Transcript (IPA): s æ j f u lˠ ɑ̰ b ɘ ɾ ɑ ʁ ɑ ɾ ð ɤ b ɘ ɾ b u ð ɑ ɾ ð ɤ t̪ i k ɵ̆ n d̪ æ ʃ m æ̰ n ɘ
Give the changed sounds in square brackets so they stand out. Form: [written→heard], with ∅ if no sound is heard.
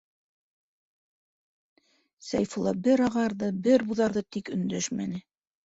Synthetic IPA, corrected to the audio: s æ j f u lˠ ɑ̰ b ɘ ɾ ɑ ʁ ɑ ɾ ð ɤ b ɘ ɾ b u ð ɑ ɾ ð ɤ t̪ i k ɵ̆ n d̪ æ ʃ m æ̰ n ɘ